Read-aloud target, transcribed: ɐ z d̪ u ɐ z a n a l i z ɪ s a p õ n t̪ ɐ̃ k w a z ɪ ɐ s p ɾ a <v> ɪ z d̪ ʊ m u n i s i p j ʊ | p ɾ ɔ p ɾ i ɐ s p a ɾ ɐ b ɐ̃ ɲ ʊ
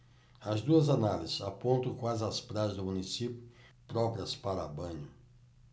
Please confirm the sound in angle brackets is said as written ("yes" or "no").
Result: no